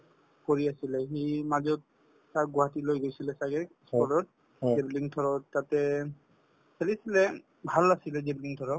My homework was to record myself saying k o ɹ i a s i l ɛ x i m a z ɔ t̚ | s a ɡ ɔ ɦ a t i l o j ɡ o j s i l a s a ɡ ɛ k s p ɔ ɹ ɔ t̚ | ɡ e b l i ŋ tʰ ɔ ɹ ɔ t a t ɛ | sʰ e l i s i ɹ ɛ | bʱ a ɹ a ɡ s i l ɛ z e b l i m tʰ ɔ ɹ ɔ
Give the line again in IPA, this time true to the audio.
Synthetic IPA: k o ɹ i a s i l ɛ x i m a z ɔ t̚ | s a ɡ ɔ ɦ a t i l o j ɡ o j s i l ɛ s a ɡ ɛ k s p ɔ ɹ ɔ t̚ | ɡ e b l i ŋ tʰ ɔ ɹ ɔ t a t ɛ | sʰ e l i s i l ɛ | bʱ a l a s i l ɛ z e b l i ŋ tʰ ɔ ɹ ɔ